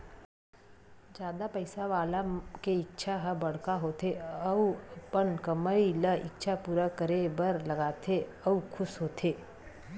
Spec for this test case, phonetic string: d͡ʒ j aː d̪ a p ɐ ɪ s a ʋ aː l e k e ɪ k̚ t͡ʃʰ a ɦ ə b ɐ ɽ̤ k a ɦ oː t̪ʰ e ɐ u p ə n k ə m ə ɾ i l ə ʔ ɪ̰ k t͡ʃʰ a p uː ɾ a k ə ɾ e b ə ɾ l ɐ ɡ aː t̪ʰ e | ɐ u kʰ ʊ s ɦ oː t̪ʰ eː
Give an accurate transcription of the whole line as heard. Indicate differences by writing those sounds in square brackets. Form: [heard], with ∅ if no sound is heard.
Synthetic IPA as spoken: d͡ʒ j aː d̪ a p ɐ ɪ s a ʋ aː l [a] k e ɪ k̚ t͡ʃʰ a ɦ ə b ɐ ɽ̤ k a ɦ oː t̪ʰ e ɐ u p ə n k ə m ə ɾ i l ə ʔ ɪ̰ k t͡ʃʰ a p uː ɾ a k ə ɾ e b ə ɾ l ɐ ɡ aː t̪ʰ e | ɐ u kʰ ʊ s ɦ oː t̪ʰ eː